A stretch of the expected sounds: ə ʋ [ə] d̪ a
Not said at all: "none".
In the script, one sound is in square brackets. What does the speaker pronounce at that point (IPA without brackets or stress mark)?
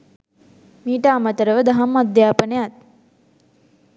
ə